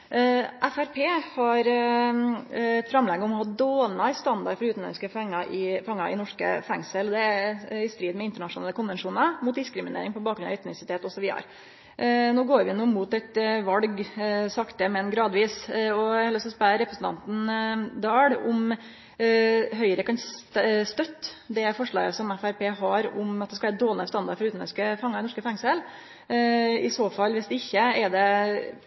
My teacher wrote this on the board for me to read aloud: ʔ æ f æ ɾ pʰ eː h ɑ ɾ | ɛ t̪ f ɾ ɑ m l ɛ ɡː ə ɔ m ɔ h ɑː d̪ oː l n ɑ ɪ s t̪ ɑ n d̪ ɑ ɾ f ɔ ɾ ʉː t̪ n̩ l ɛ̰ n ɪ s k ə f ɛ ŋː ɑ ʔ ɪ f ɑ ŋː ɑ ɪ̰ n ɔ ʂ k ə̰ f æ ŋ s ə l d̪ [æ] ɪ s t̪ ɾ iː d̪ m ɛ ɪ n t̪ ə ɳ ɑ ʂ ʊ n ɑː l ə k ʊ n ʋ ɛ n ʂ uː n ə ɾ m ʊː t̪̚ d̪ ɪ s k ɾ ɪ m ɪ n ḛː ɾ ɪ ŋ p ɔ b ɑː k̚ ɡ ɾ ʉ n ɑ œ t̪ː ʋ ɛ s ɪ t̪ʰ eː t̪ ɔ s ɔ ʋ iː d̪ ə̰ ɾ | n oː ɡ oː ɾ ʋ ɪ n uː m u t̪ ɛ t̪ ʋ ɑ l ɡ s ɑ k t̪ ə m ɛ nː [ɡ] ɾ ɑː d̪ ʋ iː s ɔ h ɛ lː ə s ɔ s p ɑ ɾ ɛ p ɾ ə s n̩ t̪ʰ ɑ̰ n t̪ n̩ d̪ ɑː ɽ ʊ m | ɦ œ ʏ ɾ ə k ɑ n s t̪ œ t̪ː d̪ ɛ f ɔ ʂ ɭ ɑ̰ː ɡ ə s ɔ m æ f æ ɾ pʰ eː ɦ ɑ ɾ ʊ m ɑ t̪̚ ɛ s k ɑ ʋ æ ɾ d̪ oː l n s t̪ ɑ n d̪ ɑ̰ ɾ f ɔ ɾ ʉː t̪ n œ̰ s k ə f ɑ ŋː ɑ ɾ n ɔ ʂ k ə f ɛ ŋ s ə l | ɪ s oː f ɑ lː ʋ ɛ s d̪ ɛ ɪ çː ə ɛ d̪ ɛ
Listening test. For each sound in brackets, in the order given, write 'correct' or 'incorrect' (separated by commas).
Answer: incorrect, correct